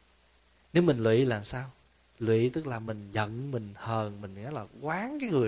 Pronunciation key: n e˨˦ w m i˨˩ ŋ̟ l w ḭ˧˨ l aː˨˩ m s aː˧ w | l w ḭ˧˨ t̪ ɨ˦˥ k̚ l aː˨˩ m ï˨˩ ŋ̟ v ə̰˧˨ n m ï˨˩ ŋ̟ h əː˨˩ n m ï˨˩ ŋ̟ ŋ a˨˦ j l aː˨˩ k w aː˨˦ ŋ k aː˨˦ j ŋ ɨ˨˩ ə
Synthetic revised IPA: n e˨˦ w m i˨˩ ŋ̟ l w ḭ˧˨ l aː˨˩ m s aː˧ w | l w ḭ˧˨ t̪ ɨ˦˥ k̚ l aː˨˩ m ï˨˩ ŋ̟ z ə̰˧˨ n m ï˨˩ ŋ̟ h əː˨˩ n m ï˨˩ ŋ̟ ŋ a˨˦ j l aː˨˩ k w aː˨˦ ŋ k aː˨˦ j ŋ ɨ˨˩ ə